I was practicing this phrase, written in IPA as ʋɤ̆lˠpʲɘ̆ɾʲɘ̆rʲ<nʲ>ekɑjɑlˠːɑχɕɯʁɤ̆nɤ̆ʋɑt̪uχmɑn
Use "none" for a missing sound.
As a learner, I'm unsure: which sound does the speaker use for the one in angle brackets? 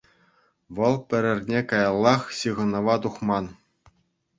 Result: nʲ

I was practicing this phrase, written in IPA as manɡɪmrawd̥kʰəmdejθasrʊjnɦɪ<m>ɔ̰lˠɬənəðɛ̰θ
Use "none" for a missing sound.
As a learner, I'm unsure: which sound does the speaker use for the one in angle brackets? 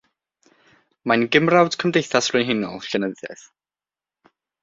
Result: n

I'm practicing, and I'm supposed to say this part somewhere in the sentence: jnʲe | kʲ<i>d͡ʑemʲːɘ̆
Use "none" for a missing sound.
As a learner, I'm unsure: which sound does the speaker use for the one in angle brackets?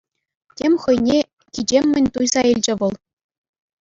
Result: i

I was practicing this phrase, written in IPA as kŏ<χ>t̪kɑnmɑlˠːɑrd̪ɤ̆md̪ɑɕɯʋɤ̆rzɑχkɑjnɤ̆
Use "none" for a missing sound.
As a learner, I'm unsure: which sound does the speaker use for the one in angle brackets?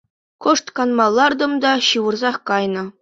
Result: ʂ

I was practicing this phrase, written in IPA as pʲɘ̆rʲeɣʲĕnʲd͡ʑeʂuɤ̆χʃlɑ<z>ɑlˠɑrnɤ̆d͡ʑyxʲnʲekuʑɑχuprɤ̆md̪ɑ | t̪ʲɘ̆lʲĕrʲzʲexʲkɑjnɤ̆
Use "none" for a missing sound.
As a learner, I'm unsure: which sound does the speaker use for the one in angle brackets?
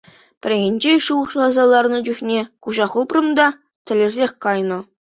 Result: z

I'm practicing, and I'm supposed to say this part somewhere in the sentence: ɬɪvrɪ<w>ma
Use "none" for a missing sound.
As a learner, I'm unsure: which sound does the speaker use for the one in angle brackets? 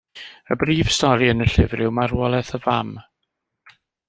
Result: w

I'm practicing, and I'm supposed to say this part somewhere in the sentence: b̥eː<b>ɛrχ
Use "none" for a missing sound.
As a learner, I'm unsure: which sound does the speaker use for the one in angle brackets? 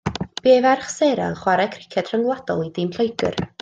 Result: v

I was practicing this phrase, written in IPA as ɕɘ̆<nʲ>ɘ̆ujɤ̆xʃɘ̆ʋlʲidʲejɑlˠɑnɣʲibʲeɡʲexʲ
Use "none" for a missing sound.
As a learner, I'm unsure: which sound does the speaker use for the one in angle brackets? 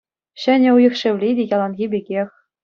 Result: nʲ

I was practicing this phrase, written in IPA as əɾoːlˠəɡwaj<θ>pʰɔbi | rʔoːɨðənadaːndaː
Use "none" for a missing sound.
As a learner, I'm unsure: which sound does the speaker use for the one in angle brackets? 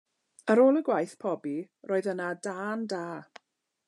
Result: θ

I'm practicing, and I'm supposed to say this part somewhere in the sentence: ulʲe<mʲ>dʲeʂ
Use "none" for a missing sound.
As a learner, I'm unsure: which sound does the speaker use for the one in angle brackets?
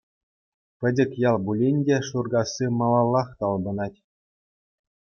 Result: nʲ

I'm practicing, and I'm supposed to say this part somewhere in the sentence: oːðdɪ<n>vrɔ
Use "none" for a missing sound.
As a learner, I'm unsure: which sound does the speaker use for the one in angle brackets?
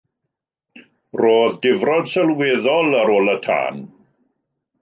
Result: none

